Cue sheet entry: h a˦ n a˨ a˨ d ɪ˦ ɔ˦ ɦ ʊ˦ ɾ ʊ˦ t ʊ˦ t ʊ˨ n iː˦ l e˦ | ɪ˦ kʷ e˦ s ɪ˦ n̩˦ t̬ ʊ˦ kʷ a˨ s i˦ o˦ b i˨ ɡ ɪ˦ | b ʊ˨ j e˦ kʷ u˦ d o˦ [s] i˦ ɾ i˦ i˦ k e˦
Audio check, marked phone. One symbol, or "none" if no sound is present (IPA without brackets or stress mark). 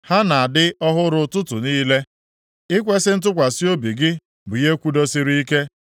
s